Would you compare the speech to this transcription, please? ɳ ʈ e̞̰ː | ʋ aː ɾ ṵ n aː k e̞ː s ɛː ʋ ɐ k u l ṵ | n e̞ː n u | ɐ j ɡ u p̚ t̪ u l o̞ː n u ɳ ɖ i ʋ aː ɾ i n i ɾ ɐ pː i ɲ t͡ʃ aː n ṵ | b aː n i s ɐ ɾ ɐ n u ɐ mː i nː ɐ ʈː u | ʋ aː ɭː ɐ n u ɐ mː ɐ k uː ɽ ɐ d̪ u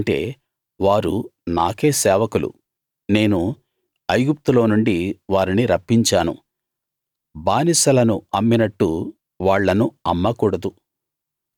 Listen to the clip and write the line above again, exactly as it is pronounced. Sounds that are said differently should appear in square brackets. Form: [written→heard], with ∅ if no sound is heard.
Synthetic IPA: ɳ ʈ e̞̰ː | ʋ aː ɾ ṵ n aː k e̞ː s ɛː ʋ ɐ k u l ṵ | n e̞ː n u | ɐ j ɡ u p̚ t̪ u l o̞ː n u ɳ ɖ i ʋ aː ɾ i n i ɾ ɐ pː i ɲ t͡ʃ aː n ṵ | b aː n i s ɐ [ɾ→l] ɐ n u ɐ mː i [nː→n] ɐ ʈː u | ʋ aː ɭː ɐ n u ɐ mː ɐ k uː ɽ ɐ d̪ u